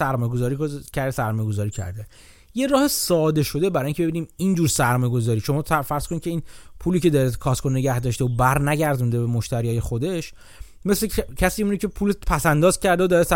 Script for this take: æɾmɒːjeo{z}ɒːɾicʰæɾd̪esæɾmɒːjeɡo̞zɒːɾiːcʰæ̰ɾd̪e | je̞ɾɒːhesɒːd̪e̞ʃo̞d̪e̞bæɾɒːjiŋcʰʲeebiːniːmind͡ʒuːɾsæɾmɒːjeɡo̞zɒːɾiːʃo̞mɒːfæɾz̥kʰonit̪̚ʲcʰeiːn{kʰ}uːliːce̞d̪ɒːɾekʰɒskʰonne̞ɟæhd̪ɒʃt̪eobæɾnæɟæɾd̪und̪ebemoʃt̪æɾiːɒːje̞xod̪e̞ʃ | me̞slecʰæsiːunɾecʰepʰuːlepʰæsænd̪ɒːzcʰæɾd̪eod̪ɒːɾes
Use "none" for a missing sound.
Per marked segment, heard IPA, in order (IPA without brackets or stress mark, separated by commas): z, pʰ